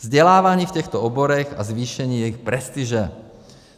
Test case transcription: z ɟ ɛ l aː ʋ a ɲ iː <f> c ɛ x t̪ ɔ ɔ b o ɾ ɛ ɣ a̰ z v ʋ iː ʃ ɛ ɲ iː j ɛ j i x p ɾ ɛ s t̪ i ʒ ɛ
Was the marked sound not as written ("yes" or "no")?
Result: no